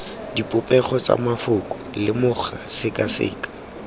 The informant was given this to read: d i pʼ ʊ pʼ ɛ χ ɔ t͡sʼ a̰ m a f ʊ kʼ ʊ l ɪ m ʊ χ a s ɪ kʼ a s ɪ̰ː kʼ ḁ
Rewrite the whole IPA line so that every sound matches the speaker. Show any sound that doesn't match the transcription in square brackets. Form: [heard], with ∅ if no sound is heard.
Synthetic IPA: d i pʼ ʊ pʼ ɛ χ ɔ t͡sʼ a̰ m a f ʊ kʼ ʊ l ɪ m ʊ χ a s ɪ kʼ a s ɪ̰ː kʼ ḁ